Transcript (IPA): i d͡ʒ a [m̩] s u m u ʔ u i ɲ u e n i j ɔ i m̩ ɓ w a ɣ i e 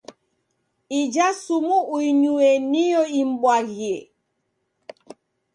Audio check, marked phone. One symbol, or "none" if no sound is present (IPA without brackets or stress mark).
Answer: none